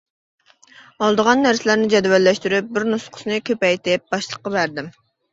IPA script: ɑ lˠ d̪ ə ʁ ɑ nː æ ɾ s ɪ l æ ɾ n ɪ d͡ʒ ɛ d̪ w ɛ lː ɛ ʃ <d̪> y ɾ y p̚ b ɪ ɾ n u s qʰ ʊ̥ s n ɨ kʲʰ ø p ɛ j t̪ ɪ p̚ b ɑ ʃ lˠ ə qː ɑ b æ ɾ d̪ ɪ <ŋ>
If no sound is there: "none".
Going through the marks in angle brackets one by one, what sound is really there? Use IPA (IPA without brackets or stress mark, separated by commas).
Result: t̪, m